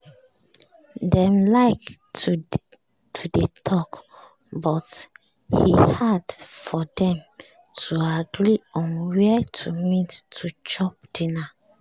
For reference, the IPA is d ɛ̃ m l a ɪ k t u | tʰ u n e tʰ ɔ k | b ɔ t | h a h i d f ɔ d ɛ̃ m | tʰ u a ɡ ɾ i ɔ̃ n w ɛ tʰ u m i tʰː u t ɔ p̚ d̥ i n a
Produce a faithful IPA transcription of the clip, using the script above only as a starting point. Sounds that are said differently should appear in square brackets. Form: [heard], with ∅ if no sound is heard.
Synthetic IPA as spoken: d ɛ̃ m l a ɪ k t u | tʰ u [d] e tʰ ɔ k | b ɔ t | h [i] h [a] d f ɔ d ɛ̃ m | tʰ u a ɡ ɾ i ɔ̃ n w ɛ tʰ u m i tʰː u [t͡ʃ] ɔ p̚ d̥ i n a